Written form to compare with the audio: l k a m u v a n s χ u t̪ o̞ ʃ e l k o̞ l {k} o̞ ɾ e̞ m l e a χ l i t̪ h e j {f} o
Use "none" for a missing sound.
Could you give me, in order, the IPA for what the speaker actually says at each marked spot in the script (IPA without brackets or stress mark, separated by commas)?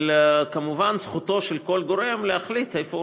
ɡ, f